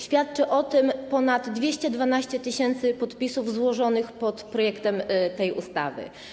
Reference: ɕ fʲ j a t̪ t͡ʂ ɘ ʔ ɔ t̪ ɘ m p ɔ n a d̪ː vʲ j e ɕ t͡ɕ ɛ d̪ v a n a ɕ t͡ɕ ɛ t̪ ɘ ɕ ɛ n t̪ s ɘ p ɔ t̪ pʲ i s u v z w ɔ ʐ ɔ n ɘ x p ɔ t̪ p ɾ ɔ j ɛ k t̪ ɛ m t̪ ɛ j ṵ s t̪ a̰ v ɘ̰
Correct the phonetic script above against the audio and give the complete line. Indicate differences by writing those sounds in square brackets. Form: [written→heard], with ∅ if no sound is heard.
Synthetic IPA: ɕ fʲ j a t̪ t͡ʂ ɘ ʔ ɔ t̪ ɘ m p ɔ n a d̪ː vʲ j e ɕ t͡ɕ ɛ d̪ v a n a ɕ t͡ɕ ɛ t̪ ɘ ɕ ɛ n t̪ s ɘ p ɔ t̪ pʲ i s u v z w ɔ ʐ ɔ n ɘ x p ɔ t̪ p ɾ ɔ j ɛ k t̪ ɛ m t̪ ɛ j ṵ s t̪ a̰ v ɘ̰